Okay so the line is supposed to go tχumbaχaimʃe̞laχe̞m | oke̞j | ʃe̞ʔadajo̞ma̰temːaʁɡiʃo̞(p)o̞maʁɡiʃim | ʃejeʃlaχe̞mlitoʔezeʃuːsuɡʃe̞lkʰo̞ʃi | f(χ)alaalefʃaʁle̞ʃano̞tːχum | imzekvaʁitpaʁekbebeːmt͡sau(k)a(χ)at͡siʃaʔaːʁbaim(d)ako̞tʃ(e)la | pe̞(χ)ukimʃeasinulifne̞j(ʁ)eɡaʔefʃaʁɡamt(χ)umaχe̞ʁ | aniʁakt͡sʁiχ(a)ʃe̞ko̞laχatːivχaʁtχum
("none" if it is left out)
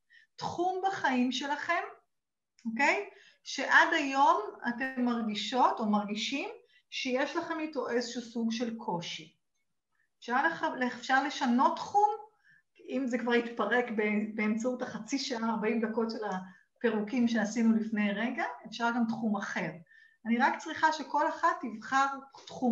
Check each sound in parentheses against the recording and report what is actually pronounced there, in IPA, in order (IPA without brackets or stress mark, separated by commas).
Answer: t, ʃ, t, χ, d, e, ʁ, ʁ, χ, a